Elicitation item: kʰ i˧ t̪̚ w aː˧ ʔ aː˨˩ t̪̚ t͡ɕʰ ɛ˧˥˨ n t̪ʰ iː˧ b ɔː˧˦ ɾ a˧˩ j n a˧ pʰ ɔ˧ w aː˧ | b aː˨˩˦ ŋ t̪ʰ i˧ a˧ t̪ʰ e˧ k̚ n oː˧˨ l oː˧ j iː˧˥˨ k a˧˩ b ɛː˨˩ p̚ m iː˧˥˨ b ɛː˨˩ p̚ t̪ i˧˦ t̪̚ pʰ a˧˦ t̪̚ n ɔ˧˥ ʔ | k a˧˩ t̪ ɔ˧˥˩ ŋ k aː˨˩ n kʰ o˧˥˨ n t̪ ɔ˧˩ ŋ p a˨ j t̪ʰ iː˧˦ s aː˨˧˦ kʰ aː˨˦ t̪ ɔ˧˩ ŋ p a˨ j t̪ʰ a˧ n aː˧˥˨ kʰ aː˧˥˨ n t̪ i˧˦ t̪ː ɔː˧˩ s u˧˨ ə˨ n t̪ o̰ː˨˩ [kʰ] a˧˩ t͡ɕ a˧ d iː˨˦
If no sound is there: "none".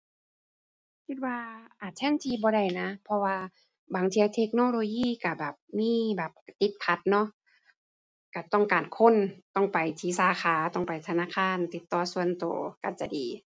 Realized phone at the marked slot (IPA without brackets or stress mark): k